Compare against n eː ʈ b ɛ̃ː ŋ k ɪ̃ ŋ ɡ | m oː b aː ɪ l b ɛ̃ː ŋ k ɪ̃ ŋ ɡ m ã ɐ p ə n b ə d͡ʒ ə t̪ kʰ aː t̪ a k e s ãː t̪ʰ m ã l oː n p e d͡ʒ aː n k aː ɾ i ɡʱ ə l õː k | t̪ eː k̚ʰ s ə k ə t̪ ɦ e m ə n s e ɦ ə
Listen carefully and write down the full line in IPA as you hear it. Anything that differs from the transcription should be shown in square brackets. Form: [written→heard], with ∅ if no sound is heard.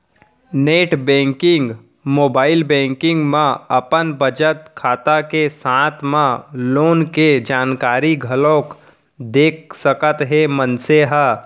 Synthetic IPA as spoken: n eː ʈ b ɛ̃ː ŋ k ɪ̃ ŋ ɡ | m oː b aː ɪ l b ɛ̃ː ŋ k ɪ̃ ŋ ɡ m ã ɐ p ə n b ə d͡ʒ ə t̪ kʰ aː t̪ a k e s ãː t̪ʰ m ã l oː n [p→k] e d͡ʒ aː n k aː ɾ i ɡʱ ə l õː k | [t̪→d̪] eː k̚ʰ s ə k ə t̪ ɦ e m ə n s e ɦ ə